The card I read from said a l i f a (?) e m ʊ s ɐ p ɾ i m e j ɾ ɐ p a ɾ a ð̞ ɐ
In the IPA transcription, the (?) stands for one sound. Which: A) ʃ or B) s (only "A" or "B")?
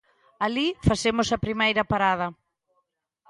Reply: B